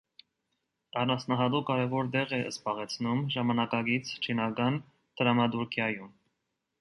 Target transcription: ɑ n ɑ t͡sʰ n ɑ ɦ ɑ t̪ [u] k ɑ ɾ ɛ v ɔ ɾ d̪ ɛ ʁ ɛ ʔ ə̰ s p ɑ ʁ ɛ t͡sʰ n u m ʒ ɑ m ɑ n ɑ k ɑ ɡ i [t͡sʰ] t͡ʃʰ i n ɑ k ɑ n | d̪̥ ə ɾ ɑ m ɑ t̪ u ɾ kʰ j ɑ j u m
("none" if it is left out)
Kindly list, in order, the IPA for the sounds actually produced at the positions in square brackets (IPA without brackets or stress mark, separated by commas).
u, t͡sʰ